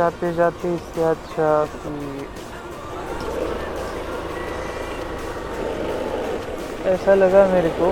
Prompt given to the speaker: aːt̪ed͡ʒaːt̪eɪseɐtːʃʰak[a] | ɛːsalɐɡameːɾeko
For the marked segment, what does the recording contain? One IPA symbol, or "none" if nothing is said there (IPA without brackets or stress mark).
i